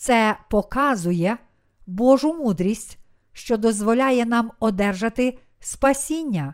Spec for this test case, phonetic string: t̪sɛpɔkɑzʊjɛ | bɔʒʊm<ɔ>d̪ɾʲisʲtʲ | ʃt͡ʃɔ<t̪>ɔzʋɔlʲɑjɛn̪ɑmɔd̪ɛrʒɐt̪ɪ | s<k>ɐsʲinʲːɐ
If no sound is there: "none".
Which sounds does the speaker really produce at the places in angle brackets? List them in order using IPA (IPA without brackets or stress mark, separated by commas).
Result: u, d̪, p